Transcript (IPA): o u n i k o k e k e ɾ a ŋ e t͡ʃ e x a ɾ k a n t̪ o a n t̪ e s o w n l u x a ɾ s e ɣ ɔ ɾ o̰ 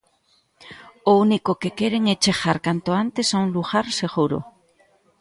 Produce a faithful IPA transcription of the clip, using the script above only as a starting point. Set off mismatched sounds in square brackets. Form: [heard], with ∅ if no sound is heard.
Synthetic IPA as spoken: o u n i k o k e k e ɾ [e] ŋ e t͡ʃ e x a ɾ k a n t̪ o a n t̪ e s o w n l u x a ɾ s e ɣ [u] ɾ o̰